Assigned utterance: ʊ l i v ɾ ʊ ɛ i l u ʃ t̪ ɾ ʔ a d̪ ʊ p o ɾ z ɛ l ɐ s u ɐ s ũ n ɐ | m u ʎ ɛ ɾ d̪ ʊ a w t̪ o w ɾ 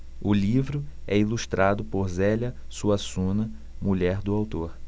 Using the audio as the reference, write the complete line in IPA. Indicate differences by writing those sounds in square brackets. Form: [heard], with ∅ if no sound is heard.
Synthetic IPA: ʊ l i v ɾ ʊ ɛ i l u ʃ t̪ ɾ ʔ a d̪ ʊ p o ɾ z ɛ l ɐ s u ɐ s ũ n ɐ | m u ʎ ɛ ɾ d̪ ʊ a w t̪ o [∅] ɾ